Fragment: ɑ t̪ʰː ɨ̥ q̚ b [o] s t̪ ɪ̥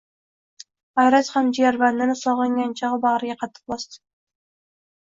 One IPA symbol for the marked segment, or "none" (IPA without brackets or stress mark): ɒ